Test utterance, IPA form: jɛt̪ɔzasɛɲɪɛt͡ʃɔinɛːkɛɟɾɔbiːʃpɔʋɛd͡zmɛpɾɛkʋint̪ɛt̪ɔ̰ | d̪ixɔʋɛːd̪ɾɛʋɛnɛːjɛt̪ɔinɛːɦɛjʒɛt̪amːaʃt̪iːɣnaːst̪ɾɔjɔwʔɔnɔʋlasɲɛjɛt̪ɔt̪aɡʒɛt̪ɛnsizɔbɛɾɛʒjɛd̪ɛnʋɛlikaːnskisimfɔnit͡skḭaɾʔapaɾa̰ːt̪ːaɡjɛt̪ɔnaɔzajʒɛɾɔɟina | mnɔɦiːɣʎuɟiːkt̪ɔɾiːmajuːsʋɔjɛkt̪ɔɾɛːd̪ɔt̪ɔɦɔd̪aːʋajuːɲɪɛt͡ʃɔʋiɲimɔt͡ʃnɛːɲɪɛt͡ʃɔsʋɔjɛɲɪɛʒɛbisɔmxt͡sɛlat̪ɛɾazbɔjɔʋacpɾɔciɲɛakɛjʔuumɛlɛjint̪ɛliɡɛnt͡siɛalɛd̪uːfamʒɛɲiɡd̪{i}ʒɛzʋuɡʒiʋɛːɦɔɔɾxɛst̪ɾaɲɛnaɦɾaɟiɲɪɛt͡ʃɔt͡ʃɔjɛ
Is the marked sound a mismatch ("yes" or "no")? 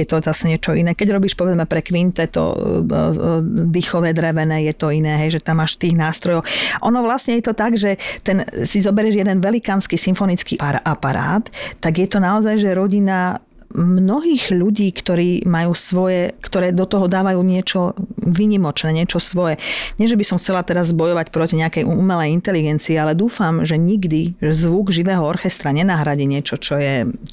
no